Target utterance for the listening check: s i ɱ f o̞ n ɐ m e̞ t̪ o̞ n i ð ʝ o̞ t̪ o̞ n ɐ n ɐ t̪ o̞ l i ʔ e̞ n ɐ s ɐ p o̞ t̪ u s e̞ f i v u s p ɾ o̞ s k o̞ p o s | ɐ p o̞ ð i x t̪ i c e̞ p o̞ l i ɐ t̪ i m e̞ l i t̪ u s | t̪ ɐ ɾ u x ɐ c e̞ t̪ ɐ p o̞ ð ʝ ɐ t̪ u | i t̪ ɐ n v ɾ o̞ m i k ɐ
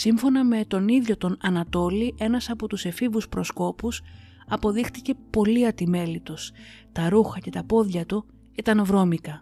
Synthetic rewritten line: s i ɱ f o̞ n ɐ m e̞ t̪ o̞ n i ð ʝ o̞ t̪ o̞ n ɐ n ɐ t̪ o̞ l i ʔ e̞ n ɐ s ɐ p o̞ t̪ u s e̞ f i v u s p ɾ o̞ s k o̞ p u s | ɐ p o̞ ð i x t̪ i c e̞ p o̞ l i ɐ t̪ i m e̞ l i t̪ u s | t̪ ɐ ɾ u x ɐ c e̞ t̪ ɐ p o̞ ð ʝ ɐ t̪ u | i t̪ ɐ n v ɾ o̞ m i k ɐ